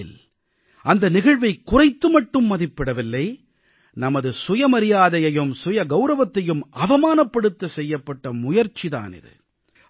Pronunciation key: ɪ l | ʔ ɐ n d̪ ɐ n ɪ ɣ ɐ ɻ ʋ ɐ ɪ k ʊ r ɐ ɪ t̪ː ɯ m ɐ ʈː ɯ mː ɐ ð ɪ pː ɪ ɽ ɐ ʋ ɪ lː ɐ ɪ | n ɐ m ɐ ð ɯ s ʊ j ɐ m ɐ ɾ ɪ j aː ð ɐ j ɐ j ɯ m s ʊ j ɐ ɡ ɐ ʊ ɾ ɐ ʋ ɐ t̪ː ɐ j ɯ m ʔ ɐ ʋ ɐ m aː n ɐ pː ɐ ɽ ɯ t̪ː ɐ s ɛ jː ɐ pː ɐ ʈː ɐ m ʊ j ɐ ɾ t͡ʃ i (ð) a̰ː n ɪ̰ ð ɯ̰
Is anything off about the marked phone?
no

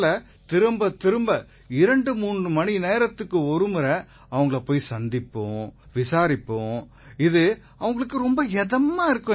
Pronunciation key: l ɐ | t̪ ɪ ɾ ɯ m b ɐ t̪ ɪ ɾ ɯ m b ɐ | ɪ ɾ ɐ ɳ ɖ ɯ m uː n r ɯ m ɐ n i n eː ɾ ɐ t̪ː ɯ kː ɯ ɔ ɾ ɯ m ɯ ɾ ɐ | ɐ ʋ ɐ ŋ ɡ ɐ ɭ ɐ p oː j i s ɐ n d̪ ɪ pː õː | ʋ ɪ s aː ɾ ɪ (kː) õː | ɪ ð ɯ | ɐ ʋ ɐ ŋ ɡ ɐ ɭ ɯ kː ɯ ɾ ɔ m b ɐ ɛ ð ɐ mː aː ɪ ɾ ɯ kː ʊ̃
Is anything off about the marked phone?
yes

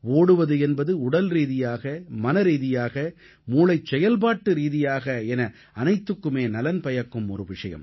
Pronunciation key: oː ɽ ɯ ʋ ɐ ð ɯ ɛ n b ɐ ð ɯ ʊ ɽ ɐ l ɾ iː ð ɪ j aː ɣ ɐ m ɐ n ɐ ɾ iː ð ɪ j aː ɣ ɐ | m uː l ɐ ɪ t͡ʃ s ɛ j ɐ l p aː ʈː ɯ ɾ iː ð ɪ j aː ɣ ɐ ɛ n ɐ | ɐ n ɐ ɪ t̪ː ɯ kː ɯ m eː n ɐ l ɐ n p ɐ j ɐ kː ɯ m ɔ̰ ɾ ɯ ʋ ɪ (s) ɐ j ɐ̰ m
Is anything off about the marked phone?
yes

